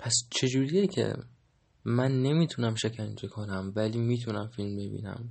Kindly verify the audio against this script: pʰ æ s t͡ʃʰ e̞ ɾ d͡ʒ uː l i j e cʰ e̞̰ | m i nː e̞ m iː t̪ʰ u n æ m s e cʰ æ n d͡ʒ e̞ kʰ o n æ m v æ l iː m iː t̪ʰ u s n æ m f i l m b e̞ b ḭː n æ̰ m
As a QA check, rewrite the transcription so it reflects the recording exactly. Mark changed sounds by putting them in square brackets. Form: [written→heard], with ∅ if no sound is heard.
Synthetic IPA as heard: pʰ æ s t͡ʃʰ e̞ [ɾ→∅] d͡ʒ uː [l→ɾ] i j e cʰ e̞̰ | m [i→æ] nː e̞ m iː t̪ʰ u n æ m [s→ʃ] e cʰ æ n d͡ʒ e̞ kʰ o n æ m v æ l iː m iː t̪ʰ u [s→∅] n æ m f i l m b e̞ b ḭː n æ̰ m